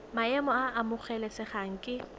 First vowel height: low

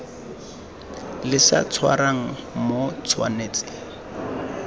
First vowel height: high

